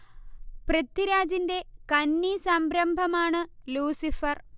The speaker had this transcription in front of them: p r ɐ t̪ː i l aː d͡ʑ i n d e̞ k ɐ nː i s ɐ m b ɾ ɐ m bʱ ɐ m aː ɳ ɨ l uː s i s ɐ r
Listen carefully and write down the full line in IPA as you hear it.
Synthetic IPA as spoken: p r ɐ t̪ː i ɾ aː d͡ʑ i n d e̞ k ɐ nː i s ɐ m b ɾ ɐ m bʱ ɐ m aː ɳ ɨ l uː s i f ɐ r